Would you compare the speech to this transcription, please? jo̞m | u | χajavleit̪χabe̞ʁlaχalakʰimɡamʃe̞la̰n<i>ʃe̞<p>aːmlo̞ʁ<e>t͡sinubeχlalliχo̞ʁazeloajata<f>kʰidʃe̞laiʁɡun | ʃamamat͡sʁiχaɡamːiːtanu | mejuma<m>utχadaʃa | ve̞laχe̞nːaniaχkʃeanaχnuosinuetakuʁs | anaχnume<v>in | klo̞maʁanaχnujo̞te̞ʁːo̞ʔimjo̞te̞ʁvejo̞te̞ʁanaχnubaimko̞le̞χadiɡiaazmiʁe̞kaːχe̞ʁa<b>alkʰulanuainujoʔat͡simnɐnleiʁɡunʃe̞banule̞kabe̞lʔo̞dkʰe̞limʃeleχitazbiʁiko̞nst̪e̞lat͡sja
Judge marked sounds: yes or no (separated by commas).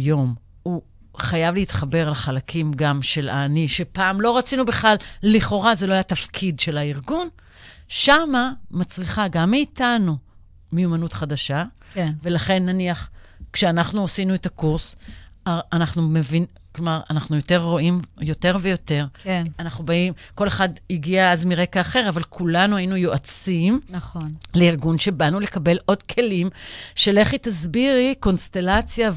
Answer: yes, yes, no, yes, no, yes, no